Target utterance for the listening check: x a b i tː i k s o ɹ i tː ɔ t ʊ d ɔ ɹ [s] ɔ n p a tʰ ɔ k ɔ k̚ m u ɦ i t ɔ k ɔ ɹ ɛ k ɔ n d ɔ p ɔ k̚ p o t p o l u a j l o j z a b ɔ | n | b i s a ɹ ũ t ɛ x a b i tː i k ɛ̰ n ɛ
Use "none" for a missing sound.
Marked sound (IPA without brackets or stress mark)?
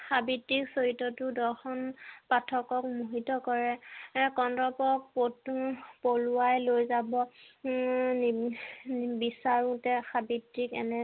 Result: x